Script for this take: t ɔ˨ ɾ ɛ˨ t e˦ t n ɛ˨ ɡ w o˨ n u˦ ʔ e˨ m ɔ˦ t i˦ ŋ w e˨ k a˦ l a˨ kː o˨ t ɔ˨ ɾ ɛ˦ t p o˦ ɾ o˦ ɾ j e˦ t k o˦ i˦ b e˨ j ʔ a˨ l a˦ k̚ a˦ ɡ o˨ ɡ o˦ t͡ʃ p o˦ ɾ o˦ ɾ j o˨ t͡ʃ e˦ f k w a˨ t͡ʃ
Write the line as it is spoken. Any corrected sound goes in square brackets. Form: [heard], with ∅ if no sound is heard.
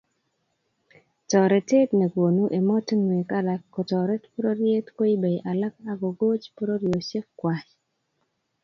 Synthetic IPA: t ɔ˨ ɾ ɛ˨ t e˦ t n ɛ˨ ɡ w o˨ n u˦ ʔ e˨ m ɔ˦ t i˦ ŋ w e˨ k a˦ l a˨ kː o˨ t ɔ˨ ɾ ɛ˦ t p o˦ ɾ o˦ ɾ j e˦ t k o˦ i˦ b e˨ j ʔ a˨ l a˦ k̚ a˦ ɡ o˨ ɡ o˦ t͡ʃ p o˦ ɾ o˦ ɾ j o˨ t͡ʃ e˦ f k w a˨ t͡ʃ

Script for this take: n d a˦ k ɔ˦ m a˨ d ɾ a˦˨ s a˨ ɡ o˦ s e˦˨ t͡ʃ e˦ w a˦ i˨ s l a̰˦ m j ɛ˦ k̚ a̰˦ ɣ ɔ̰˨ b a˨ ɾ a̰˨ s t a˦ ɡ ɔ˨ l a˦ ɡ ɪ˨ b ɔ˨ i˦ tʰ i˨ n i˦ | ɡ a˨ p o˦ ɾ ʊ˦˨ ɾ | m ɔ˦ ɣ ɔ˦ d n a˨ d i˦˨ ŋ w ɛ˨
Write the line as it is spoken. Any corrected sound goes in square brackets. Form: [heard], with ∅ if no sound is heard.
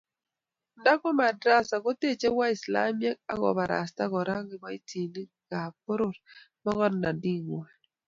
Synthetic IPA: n d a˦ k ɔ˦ m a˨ d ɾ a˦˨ s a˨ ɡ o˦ [t] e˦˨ t͡ʃ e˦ w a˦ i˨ s l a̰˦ m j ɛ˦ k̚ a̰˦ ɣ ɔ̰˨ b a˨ ɾ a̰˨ s t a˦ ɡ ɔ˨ [ɾ] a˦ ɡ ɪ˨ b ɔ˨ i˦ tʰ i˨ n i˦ | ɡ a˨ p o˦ ɾ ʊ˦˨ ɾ | m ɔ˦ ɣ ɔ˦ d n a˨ d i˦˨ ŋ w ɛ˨

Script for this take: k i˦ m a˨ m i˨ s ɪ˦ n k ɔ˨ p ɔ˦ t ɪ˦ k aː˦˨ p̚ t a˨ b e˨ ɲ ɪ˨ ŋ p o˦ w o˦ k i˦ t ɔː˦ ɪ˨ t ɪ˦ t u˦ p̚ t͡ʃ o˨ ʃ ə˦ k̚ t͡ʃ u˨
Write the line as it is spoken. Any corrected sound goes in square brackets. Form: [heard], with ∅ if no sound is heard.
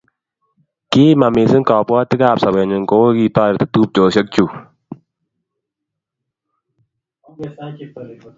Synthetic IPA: k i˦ m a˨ m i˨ s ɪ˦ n k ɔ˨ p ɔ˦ t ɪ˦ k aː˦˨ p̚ [s] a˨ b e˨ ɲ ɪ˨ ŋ [k] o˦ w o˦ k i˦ t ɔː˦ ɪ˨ t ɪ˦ t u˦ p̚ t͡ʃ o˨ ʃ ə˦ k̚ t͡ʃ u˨

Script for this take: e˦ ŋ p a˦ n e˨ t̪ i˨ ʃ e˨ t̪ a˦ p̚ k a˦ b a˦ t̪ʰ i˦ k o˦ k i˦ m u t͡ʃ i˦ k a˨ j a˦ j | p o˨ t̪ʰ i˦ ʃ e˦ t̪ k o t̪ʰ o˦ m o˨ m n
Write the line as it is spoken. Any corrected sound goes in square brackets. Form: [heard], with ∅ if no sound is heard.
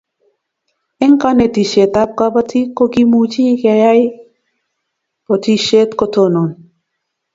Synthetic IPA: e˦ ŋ [k] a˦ n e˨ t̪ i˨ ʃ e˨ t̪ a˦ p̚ k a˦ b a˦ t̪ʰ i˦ k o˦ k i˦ m u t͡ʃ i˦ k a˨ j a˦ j | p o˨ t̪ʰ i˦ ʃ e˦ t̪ k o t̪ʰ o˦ [n] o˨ [∅] n

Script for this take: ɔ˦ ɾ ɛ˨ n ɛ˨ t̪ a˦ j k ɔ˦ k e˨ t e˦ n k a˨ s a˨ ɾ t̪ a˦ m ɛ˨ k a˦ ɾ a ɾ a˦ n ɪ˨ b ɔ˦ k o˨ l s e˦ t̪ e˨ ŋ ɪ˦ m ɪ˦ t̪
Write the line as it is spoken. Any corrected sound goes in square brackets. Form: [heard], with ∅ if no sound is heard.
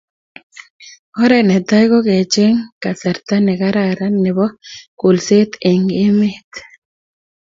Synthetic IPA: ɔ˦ ɾ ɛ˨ n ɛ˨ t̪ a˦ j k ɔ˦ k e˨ [t͡ʃ] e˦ [ŋ] k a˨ s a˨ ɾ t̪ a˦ [n] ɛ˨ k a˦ ɾ a ɾ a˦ n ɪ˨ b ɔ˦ k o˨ l s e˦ t̪ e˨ ŋ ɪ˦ m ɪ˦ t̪

